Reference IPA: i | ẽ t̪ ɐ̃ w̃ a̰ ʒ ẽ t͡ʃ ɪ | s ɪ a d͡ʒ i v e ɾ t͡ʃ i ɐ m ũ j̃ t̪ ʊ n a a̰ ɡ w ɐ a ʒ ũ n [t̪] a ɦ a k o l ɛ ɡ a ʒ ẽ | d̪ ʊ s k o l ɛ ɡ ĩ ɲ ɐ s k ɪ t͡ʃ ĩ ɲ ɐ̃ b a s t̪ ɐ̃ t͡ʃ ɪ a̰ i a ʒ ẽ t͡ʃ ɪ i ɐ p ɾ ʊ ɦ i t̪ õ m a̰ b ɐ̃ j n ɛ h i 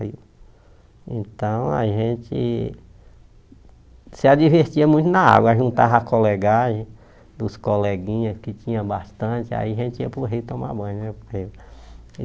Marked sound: correct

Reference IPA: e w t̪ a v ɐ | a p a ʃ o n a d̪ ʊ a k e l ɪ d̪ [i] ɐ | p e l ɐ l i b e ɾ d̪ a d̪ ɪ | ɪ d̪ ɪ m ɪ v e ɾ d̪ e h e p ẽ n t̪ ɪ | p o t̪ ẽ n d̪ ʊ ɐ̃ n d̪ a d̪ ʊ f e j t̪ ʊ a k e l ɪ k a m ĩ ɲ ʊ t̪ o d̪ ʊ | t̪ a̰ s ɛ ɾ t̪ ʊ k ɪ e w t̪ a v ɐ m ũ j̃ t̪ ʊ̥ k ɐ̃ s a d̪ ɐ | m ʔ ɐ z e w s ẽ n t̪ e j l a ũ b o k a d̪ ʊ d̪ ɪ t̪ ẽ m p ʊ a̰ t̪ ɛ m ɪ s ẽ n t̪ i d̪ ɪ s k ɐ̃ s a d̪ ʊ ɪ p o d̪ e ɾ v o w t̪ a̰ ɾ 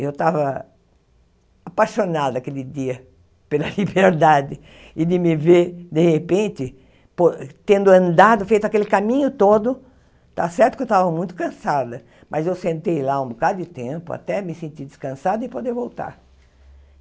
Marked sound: correct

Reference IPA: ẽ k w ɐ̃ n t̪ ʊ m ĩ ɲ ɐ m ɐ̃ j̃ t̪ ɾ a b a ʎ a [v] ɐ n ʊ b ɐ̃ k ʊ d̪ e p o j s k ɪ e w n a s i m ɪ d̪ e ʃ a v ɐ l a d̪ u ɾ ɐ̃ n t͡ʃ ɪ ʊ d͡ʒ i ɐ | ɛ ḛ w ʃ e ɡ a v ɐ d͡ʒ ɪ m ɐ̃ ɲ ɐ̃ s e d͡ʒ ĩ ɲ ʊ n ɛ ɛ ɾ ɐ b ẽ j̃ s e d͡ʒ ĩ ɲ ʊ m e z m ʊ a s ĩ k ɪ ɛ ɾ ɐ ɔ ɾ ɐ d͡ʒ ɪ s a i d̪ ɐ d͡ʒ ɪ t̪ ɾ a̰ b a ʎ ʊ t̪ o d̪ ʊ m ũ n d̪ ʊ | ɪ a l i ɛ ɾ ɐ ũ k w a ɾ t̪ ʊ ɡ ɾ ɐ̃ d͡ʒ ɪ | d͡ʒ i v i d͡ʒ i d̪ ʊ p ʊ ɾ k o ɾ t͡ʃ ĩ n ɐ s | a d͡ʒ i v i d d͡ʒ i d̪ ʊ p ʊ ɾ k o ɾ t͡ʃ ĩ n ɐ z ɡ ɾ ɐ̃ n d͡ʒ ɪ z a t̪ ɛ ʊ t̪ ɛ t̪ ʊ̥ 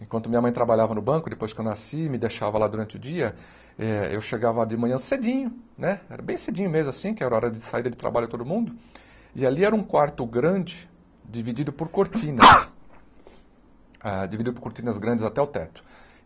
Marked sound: correct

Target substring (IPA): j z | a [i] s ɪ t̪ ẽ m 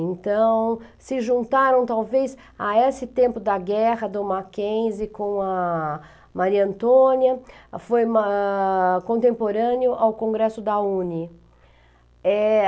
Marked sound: incorrect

